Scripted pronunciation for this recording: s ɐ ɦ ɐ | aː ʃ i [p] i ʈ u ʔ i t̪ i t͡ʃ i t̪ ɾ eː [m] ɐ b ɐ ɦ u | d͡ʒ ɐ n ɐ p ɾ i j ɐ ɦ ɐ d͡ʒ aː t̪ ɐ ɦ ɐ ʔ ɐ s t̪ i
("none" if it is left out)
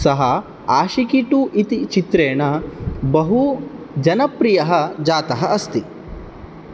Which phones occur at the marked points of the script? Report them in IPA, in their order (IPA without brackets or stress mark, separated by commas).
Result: k, ɳ